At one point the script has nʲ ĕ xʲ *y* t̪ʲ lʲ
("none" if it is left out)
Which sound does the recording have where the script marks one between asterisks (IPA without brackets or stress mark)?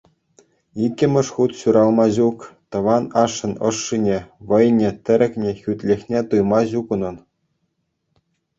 y